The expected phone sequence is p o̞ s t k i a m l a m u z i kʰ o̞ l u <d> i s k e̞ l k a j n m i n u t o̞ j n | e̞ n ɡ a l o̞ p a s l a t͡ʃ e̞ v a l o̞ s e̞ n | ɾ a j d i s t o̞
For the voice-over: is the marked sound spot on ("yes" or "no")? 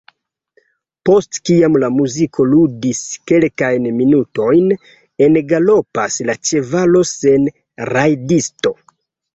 yes